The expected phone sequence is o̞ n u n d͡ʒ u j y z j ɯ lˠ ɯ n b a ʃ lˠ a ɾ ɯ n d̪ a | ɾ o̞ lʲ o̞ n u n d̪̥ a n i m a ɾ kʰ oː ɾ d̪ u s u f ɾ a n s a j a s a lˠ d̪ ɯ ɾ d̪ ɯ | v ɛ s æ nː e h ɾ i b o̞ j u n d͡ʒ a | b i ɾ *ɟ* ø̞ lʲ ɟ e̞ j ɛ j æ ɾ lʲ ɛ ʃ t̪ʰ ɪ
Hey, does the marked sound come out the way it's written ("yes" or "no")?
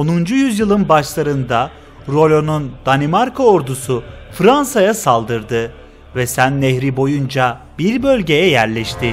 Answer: no